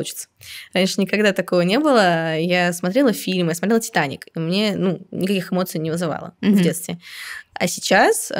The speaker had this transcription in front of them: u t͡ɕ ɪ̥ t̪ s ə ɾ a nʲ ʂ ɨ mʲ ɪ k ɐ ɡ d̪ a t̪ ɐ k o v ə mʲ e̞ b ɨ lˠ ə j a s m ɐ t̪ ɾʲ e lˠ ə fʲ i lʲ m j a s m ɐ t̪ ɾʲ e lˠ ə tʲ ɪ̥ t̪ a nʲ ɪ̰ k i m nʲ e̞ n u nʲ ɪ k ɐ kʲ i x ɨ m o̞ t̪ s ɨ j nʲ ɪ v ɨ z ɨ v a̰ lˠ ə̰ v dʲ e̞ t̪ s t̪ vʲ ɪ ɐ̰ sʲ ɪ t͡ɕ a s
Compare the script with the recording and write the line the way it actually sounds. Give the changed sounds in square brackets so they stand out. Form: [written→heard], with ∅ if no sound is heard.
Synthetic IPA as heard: u t͡ɕ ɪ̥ t̪ s ə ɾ a nʲ ʂ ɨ [mʲ→nʲ] ɪ k ɐ ɡ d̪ a t̪ ɐ k o v ə [mʲ→nʲ] e̞ b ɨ lˠ ə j a s m ɐ t̪ ɾʲ e lˠ ə fʲ i lʲ m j a s m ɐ t̪ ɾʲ e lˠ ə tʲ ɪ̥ t̪ a nʲ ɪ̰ k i m nʲ e̞ n u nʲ ɪ k ɐ kʲ i x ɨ m o̞ t̪ s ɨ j nʲ ɪ v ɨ z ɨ v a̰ lˠ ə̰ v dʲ e̞ t̪ s t̪ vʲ ɪ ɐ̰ sʲ ɪ t͡ɕ a s